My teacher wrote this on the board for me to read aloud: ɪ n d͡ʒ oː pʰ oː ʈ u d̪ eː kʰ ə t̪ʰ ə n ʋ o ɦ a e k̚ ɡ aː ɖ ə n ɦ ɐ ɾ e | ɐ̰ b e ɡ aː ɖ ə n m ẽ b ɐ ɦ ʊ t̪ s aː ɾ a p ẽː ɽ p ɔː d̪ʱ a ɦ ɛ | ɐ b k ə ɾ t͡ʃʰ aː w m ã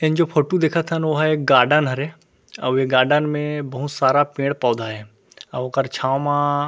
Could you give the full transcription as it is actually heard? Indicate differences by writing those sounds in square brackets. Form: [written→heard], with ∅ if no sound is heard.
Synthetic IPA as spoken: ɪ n d͡ʒ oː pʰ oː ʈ u d̪ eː kʰ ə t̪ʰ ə n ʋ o ɦ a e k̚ ɡ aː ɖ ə n ɦ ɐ ɾ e | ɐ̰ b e ɡ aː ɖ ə n m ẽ b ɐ ɦ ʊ t̪ s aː ɾ a p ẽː ɽ p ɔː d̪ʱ a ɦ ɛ | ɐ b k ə ɾ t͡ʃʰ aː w m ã